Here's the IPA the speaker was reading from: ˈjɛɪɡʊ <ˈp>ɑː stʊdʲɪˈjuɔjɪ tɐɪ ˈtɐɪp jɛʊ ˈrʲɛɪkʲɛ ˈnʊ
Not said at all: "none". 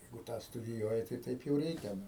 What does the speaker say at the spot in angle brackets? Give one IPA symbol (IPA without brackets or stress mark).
t